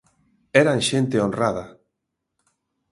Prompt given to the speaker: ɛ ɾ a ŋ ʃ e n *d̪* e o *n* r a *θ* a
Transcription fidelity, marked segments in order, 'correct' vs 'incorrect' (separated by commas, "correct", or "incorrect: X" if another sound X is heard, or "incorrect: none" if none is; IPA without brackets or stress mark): incorrect: t̪, correct, incorrect: ð